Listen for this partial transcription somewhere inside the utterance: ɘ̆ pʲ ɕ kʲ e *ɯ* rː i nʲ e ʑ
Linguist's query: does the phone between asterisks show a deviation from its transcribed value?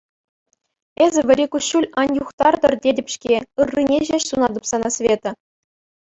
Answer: no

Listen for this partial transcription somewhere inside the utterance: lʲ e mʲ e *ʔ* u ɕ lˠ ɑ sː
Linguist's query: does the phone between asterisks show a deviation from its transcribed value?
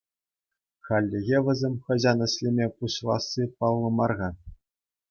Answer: yes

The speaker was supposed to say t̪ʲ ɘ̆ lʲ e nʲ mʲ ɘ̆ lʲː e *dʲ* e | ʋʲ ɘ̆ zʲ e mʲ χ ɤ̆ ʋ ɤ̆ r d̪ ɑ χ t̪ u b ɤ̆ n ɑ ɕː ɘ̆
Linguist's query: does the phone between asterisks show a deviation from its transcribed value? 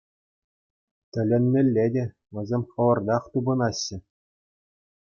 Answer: no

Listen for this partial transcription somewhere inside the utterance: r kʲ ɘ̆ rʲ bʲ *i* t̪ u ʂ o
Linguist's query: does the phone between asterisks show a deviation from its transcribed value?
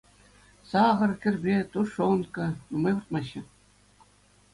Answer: yes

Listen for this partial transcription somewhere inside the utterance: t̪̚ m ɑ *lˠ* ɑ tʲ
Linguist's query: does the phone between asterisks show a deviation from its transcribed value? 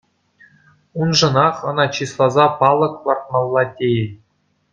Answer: yes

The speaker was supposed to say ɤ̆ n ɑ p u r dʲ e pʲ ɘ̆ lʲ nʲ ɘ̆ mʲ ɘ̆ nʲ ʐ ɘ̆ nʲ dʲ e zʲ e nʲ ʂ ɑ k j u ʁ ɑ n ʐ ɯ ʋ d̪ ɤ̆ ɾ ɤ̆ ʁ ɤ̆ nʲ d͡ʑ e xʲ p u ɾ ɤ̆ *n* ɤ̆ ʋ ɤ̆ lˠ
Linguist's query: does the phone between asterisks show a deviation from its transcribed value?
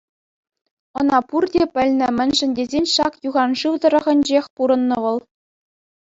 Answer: yes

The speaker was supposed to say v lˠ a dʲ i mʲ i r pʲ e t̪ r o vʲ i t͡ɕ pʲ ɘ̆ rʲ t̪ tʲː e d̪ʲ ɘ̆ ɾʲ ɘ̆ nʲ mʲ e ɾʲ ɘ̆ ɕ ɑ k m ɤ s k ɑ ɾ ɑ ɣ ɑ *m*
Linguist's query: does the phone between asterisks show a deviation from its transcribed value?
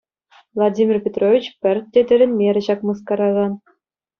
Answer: yes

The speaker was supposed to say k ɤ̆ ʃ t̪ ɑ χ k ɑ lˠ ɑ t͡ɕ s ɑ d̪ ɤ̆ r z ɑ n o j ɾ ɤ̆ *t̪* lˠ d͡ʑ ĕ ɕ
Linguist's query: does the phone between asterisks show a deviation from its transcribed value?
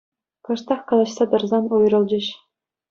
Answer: yes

